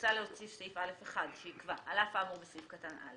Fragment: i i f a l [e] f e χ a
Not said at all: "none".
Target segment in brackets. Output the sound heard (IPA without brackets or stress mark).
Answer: e